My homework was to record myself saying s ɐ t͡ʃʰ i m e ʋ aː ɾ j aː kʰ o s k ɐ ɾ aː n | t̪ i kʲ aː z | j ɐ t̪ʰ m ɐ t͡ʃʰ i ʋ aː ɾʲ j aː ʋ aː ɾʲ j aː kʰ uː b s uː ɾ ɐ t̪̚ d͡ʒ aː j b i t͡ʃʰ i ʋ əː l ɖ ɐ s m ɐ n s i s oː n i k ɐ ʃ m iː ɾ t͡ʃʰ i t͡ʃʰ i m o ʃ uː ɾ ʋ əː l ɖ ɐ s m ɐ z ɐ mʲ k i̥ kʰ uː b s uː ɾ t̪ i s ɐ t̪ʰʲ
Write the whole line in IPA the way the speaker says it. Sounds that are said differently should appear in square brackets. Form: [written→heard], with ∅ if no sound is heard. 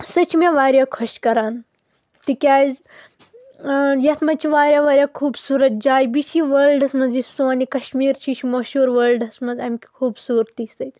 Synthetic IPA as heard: s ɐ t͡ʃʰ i m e ʋ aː ɾ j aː kʰ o [s→ʃ] k ɐ ɾ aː n | t̪ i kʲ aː z | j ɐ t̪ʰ m ɐ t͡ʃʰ i ʋ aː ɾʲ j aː ʋ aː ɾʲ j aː kʰ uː b s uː ɾ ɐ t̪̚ d͡ʒ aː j b i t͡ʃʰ i ʋ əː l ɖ ɐ s m ɐ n [s→z] i s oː n i k ɐ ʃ m iː ɾ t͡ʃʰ i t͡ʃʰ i m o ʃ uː ɾ ʋ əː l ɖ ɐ s m ɐ z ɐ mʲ k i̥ kʰ uː b s uː ɾ t̪ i s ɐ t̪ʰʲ